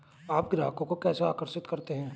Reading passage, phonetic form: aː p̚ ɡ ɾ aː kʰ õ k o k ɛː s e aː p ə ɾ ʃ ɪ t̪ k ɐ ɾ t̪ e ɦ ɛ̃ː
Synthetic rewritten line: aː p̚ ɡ ɾ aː k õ k o k ɛː s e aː k ə ɾ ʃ ɪ t̪ k ɐ ɾ t̪ e ɦ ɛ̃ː